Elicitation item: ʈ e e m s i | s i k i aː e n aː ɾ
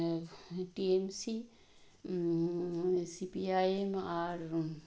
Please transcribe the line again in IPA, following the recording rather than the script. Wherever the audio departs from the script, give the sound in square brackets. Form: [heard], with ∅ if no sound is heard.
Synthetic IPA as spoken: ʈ [i] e m s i | s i [p] i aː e [m] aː ɾ